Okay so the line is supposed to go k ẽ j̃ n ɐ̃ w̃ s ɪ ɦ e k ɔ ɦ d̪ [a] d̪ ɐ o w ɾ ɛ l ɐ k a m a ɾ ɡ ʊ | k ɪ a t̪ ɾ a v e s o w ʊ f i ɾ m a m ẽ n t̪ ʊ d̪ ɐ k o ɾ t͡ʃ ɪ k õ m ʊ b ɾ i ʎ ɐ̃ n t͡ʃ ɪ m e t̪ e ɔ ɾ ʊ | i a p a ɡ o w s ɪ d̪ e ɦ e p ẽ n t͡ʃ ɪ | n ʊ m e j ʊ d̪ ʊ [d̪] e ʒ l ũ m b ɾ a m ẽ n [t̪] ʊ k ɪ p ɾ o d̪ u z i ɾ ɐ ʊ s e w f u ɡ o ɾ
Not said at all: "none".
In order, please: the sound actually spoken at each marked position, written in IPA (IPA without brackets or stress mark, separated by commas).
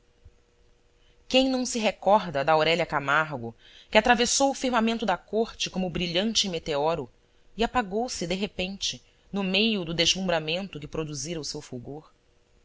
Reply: ɐ, d̪, t̪